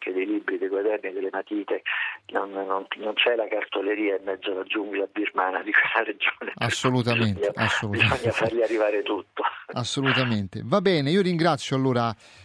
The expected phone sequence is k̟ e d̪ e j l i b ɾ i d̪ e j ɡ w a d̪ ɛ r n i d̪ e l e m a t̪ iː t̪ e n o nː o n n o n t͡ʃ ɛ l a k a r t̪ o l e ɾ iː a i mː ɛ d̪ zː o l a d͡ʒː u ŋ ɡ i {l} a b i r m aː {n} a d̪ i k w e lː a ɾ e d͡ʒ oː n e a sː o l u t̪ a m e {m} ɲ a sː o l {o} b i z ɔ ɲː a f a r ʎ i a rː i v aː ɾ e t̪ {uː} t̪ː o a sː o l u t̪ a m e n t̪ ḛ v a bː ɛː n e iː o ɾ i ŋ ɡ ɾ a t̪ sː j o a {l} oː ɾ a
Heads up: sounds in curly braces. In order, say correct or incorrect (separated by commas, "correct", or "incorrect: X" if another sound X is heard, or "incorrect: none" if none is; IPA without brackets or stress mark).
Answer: correct, correct, incorrect: n, incorrect: u, incorrect: u, incorrect: lː